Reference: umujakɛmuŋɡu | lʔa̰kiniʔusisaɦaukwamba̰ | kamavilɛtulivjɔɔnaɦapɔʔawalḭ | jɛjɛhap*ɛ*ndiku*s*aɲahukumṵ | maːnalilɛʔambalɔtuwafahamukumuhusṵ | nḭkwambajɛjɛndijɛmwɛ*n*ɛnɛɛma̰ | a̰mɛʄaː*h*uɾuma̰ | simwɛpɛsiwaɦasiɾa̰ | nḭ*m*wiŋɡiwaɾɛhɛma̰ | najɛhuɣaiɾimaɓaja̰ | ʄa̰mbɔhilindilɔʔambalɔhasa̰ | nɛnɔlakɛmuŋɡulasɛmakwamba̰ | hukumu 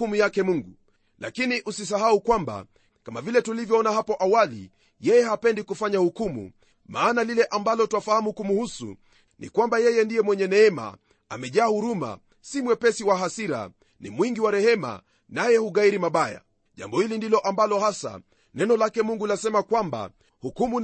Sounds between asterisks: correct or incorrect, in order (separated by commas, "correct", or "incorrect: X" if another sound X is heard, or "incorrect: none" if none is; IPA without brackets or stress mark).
correct, incorrect: f, incorrect: ɲ, correct, correct